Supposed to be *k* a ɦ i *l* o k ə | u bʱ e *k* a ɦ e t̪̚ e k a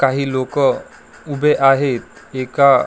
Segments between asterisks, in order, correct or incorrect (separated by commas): correct, correct, incorrect